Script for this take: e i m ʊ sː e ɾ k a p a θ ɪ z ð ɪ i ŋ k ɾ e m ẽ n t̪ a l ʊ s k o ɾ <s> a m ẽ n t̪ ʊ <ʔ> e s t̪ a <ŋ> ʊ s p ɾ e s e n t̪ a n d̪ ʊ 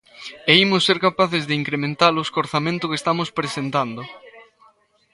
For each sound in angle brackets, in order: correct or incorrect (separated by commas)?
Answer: incorrect, incorrect, incorrect